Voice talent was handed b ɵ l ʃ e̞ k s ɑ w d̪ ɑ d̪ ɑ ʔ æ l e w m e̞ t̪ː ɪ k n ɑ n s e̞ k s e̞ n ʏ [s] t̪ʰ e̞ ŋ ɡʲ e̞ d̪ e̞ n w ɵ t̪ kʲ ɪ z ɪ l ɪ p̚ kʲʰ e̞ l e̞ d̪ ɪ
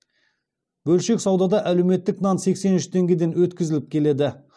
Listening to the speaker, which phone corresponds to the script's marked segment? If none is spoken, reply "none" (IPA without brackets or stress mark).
ʃ